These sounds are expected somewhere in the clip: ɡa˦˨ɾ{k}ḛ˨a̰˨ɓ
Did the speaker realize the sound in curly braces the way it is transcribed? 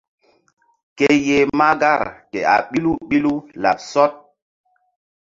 yes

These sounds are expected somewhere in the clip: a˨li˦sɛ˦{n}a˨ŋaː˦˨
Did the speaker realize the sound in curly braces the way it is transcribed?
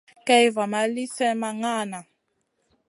no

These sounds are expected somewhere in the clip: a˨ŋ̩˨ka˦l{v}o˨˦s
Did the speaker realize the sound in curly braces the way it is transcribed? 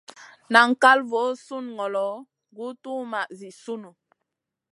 yes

